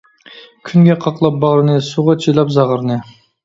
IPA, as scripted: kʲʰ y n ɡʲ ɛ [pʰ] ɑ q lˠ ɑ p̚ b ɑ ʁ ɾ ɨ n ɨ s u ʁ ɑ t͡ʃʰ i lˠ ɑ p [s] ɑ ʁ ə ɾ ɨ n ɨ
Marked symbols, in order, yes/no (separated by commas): no, no